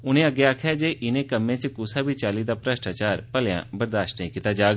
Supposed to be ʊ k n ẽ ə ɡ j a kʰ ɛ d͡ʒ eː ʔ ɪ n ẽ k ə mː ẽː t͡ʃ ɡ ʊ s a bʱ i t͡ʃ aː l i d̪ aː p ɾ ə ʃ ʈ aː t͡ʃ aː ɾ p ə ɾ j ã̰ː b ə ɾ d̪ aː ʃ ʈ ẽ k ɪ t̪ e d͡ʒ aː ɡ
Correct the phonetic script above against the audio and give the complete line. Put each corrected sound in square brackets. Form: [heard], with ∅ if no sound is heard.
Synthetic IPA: ʊ [∅] n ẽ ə ɡ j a kʰ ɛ d͡ʒ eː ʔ ɪ n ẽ k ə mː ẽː t͡ʃ [k] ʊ s a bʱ i t͡ʃ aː l i d̪ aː p ɾ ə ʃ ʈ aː t͡ʃ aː ɾ p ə [l] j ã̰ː b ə ɾ d̪ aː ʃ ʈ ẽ k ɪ t̪ [a] d͡ʒ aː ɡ